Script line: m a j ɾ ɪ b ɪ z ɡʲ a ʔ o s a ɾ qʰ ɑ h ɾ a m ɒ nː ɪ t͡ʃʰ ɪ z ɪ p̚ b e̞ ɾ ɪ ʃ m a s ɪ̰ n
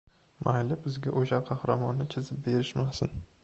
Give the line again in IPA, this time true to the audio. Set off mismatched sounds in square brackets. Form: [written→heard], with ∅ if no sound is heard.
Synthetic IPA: m a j [ɾ→l] ɪ b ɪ z ɡʲ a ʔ o [s→ʃ] a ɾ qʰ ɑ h ɾ a m ɒ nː ɪ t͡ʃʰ ɪ z ɪ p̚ b e̞ ɾ ɪ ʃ m a s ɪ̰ n